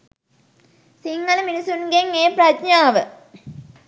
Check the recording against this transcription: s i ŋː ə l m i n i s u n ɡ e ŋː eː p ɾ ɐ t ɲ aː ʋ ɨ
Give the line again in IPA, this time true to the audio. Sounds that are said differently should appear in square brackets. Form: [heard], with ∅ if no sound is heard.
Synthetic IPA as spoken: s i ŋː [ɐ] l m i n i s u n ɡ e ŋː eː p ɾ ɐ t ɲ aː ʋ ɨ